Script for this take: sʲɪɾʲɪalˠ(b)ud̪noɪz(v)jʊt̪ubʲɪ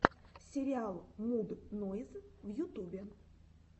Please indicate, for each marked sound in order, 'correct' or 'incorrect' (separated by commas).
incorrect, correct